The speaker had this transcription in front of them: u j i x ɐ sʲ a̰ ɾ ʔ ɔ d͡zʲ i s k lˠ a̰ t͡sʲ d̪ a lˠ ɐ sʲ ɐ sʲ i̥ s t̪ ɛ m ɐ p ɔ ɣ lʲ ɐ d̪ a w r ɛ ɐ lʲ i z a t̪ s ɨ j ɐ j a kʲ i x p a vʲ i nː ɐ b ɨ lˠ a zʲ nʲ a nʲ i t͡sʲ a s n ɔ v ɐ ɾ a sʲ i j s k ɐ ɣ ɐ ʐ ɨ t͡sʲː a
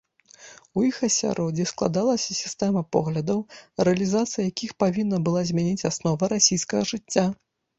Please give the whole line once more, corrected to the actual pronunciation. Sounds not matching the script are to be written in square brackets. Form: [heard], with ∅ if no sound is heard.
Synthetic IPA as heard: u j i x ɐ sʲ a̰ ɾ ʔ ɔ d͡zʲ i s k lˠ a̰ [∅] d̪ a lˠ ɐ sʲ ɐ sʲ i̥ s t̪ ɛ m ɐ p ɔ ɣ lʲ ɐ d̪ [ɐ] w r ɛ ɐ lʲ i z a t̪ s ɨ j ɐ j a kʲ i x p a vʲ i nː ɐ b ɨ lˠ a zʲ [mʲ] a nʲ i t͡sʲ a s n ɔ v ɐ ɾ a sʲ i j s k ɐ ɣ ɐ ʐ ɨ t͡sʲː a